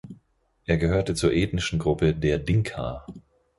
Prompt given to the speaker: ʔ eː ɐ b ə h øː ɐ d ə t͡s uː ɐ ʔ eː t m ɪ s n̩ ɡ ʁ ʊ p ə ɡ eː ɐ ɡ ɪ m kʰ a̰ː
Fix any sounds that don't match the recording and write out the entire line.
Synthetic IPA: ʔ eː ɐ ɡ ə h øː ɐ t ə t͡s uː ɐ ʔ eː t n ɪ ʃ n̩ ɡ ʁ ʊ p ə d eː ɐ d ɪ ŋ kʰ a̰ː